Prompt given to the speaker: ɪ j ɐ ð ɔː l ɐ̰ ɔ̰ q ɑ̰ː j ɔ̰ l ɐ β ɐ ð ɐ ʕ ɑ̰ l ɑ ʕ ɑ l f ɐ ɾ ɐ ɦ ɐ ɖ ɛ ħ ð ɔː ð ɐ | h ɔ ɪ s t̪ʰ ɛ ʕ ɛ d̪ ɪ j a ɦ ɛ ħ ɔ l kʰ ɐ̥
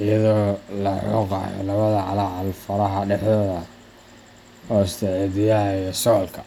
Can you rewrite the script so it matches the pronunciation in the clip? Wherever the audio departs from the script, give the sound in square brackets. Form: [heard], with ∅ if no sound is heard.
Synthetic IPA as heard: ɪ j ɐ ð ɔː l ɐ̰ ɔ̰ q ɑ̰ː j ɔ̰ l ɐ β ɐ ð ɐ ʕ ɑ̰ l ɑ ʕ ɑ l f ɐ ɾ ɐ ɦ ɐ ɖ ɛ ħ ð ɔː ð ɐ | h ɔ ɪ s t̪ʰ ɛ ʕ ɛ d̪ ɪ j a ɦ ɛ [s] ɔ l kʰ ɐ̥

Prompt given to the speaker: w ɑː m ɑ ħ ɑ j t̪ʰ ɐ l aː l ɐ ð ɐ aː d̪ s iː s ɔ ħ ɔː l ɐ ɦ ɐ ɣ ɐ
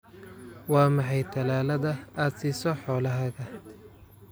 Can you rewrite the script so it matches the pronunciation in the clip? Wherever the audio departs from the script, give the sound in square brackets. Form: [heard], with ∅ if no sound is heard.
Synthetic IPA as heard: w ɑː m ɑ ħ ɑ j t̪ʰ ɐ l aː l ɐ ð ɐ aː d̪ s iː s ɔ ħ ɔː l ɐ ɦ ɐ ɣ ɐ

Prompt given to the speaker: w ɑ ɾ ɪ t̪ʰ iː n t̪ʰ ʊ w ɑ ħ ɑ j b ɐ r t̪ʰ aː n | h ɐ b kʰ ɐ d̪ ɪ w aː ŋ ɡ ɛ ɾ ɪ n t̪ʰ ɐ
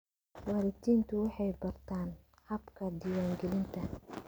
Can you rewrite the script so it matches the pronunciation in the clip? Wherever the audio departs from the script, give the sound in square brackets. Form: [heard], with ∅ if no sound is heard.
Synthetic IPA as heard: w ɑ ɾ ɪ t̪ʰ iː n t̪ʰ ʊ w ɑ ħ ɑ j b ɐ r t̪ʰ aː n | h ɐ b kʰ ɐ d̪ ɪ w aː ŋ ɡ ɛ [l] ɪ n t̪ʰ ɐ

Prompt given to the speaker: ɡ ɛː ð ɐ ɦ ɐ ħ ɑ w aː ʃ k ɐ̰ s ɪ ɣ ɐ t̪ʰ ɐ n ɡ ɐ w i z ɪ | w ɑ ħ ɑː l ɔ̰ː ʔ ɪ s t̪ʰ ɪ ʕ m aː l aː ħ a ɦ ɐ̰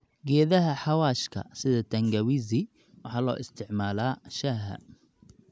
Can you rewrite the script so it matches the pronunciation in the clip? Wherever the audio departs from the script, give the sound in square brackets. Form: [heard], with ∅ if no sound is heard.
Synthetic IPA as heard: ɡ ɛː ð ɐ ɦ ɐ ħ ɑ w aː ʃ [kʰ] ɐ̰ s ɪ [ð] ɐ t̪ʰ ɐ [ŋ] ɡ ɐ w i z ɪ | w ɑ ħ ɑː l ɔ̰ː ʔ ɪ s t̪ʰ ɪ ʕ m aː l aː [ʃ] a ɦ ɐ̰

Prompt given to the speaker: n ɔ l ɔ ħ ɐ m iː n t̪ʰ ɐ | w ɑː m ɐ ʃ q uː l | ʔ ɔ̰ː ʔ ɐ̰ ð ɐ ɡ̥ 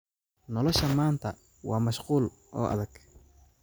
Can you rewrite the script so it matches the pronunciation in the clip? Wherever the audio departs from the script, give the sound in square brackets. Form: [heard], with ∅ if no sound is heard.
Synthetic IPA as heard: n ɔ l ɔ [ʃ] ɐ m [aː] n t̪ʰ ɐ | w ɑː m ɐ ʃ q uː l | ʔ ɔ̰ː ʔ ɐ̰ ð ɐ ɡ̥

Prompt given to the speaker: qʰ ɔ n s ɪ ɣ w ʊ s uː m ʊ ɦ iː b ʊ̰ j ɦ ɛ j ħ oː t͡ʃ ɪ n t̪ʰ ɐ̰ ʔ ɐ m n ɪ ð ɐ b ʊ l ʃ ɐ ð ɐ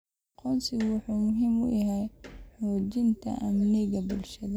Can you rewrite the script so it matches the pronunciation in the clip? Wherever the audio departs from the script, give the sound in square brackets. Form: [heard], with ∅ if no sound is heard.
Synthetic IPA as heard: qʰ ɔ n s ɪ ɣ w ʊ [ħ] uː m ʊ ɦ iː [m] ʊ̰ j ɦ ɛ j ħ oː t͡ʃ ɪ n t̪ʰ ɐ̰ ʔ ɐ m n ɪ [ɣ] ɐ b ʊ l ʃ ɐ ð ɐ

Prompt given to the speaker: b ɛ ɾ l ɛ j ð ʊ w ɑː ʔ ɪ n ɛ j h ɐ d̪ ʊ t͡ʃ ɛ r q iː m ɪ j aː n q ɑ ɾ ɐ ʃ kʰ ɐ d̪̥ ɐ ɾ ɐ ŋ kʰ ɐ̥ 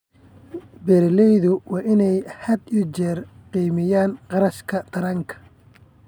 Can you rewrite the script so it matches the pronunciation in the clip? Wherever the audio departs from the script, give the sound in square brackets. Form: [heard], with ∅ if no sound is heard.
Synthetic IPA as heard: b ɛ ɾ l ɛ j ð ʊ w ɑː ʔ ɪ n ɛ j h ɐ d̪ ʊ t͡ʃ ɛ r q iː m ɪ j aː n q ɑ ɾ ɐ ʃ kʰ ɐ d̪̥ ɐ ɾ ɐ ŋ kʰ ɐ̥

